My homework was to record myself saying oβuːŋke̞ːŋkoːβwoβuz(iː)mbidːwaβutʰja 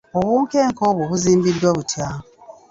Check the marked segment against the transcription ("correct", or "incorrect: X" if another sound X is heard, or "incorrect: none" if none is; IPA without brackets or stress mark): correct